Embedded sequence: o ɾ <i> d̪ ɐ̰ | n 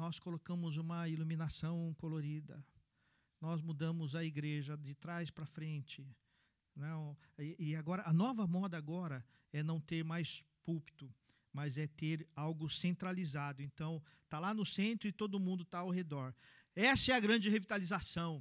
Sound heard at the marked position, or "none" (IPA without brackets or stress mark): i